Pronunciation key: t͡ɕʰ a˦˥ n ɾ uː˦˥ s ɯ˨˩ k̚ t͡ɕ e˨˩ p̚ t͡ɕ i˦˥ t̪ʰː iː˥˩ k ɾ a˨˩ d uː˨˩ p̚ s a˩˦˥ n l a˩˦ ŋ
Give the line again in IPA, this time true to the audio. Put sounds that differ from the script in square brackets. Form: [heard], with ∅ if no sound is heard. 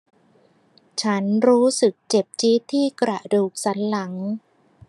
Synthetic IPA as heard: t͡ɕʰ a˦˥ n ɾ uː˦˥ s ɯ˨˩ k̚ t͡ɕ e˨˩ p̚ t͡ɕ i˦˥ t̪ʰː iː˥˩ k ɾ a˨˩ d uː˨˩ [k̚] s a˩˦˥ n l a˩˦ ŋ